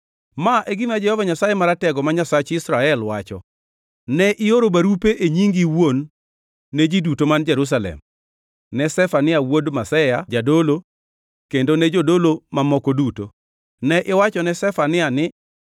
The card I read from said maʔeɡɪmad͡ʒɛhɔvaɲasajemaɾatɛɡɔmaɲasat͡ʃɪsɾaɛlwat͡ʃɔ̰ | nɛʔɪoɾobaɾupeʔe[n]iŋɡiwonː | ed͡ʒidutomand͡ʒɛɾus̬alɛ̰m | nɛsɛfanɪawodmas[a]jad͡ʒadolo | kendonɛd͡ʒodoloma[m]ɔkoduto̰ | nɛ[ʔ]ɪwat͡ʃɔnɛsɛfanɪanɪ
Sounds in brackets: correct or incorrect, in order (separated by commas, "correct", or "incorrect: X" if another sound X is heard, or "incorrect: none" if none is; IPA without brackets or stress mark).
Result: incorrect: ɲ, incorrect: ɛ, correct, correct